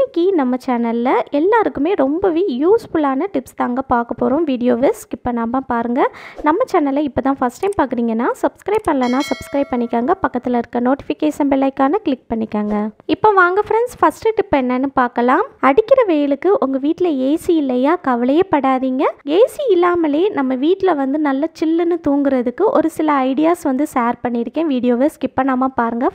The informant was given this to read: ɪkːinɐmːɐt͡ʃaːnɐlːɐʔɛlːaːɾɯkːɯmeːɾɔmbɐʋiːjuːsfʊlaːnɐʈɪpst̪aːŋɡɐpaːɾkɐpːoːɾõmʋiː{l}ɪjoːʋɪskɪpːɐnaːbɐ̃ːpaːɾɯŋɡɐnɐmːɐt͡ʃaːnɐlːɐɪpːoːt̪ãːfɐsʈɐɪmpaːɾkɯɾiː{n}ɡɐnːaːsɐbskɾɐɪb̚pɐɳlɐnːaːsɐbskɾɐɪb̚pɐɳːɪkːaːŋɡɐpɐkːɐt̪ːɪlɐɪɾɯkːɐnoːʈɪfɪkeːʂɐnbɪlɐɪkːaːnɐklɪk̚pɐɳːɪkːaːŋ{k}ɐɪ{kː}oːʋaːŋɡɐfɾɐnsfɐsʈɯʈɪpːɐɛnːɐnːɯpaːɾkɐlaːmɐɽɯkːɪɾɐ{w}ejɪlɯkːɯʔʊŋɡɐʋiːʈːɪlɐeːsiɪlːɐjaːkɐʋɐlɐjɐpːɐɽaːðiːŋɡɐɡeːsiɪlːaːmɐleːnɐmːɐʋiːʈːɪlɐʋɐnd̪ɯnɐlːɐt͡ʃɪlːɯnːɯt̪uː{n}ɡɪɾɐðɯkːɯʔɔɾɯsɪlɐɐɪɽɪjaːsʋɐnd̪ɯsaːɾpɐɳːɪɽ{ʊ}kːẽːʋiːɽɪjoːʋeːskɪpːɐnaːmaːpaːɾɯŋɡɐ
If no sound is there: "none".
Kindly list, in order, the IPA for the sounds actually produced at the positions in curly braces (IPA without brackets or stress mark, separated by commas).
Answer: ɽ, ŋ, ɡ, pː, ʋ, ŋ, ɯ